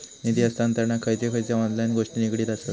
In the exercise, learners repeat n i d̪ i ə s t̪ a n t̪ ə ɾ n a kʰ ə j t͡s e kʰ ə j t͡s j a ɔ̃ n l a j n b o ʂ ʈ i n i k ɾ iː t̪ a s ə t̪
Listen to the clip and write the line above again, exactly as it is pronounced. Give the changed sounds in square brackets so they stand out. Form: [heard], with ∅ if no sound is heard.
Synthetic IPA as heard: n i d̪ i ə s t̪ a n t̪ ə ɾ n a kʰ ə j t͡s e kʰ ə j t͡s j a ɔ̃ n l a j n [ɡ] o ʂ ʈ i n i k [ɽ] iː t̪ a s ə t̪